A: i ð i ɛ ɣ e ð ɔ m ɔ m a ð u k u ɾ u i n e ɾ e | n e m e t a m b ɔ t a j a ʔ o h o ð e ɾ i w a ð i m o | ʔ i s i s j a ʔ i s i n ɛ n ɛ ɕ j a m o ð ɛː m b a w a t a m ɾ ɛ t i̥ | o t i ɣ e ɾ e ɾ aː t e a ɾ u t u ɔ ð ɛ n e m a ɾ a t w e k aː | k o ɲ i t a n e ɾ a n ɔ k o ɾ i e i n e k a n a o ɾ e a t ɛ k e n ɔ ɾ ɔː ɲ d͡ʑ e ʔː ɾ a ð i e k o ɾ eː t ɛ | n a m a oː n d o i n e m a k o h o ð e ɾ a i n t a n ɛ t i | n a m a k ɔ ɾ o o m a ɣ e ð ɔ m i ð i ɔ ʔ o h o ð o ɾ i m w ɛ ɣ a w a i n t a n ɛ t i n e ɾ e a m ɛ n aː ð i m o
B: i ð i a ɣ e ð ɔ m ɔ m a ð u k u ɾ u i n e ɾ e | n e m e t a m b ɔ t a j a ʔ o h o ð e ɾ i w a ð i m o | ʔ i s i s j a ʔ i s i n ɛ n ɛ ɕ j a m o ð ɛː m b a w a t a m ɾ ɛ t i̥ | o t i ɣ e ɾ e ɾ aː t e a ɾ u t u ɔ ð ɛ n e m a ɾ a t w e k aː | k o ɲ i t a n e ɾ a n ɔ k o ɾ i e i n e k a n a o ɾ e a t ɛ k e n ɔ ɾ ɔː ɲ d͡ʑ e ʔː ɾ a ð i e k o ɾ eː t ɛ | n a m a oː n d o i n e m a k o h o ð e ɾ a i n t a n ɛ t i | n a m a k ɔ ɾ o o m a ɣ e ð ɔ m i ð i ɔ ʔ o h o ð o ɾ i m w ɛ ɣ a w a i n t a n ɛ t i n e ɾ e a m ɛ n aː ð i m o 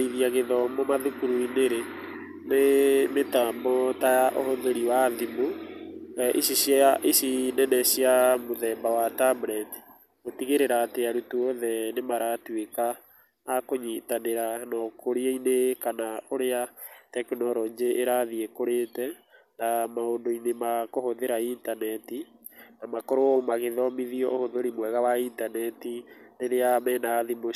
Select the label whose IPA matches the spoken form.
B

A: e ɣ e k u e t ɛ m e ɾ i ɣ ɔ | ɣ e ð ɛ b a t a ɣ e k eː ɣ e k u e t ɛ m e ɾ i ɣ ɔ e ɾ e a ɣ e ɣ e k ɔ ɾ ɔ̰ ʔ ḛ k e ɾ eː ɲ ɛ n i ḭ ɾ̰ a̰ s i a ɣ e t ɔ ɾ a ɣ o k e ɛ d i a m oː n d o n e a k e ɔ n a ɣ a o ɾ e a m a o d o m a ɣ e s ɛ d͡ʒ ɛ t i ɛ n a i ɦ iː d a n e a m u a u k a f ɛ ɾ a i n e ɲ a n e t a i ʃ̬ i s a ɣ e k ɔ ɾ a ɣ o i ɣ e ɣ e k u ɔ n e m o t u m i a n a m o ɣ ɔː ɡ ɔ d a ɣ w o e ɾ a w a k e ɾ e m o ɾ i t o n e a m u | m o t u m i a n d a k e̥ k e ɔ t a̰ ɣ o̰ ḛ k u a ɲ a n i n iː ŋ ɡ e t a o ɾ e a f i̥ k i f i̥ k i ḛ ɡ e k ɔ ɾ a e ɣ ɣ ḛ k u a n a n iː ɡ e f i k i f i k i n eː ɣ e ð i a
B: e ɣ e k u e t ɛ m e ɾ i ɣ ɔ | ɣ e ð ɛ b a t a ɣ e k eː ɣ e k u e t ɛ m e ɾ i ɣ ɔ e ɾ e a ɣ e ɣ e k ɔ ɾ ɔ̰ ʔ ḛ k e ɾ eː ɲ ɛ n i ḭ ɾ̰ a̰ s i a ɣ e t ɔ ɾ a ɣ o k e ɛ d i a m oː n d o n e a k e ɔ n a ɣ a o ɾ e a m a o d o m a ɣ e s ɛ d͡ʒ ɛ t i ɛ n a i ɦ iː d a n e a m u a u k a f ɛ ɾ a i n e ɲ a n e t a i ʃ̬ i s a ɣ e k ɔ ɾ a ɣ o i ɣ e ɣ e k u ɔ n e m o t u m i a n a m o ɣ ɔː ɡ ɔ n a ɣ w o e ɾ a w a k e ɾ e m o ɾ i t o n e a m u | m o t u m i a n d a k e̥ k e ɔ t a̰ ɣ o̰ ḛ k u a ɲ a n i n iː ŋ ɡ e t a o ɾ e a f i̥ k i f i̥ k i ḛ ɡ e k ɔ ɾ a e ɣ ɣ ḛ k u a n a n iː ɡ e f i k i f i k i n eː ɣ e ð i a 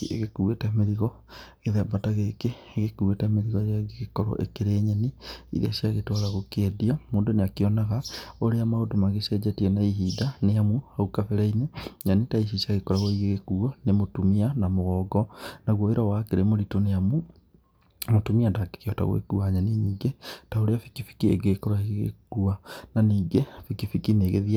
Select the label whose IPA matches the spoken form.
B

